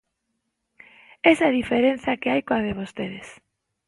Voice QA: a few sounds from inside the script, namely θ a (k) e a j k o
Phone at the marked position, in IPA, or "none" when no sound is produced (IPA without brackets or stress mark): k